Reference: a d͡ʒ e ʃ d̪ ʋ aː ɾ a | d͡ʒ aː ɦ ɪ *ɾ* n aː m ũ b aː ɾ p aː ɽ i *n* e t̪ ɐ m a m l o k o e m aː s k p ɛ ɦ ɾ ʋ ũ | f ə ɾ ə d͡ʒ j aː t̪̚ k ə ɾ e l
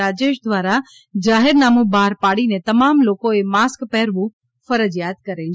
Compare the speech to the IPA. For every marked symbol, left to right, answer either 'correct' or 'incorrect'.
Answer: correct, correct

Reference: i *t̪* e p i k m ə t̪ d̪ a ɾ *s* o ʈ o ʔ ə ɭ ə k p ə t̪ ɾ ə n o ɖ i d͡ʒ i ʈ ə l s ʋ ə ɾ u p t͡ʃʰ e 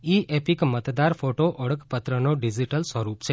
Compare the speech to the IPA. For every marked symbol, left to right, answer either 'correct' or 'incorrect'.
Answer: incorrect, incorrect

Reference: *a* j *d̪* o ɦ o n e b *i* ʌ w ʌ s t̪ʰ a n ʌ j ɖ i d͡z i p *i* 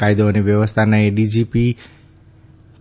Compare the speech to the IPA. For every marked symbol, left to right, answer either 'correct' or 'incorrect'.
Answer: correct, correct, incorrect, correct

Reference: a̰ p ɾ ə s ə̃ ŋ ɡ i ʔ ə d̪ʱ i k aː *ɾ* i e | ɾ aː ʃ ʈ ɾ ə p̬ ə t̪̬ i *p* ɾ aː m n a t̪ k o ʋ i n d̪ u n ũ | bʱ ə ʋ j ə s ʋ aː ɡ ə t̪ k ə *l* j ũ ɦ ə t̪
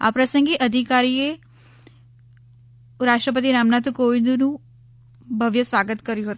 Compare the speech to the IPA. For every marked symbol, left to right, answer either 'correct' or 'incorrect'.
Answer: correct, incorrect, incorrect

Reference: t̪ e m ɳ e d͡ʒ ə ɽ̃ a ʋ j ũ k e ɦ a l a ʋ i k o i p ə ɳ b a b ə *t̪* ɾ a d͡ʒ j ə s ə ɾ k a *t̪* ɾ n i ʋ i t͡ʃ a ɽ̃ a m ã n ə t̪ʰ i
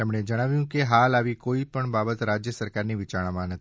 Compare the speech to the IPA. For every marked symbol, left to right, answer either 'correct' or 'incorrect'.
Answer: correct, incorrect

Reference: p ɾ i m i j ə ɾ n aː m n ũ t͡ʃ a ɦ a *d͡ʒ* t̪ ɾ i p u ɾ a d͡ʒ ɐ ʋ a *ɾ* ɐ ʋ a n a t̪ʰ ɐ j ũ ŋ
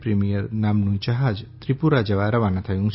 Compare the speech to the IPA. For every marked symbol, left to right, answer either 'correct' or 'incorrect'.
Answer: correct, correct

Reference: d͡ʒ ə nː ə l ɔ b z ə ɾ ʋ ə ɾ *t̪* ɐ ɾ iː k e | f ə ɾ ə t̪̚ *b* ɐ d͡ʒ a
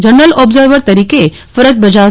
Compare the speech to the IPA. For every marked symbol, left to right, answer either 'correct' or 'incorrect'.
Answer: correct, correct

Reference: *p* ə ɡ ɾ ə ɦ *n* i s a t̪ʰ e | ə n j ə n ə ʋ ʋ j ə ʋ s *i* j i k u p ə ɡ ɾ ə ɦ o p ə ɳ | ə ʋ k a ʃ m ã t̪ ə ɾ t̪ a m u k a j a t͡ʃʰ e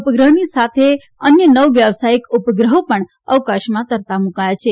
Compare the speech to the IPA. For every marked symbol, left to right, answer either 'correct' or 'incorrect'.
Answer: correct, correct, incorrect

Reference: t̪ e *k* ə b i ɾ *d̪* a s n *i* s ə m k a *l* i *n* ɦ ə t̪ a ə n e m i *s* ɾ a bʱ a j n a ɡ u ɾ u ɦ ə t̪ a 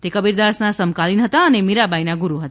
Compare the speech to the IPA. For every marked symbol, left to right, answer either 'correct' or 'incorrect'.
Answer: correct, correct, incorrect, correct, correct, incorrect

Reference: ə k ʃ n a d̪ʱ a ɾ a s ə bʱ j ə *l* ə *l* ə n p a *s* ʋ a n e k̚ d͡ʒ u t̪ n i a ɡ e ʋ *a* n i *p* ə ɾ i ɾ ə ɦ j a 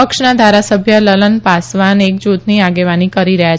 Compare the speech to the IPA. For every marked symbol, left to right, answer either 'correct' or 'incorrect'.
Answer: correct, correct, correct, correct, incorrect

